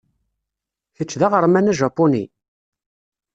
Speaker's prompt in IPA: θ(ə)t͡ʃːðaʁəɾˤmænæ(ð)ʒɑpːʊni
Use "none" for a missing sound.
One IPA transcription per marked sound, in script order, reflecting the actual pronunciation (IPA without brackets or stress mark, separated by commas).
ə, none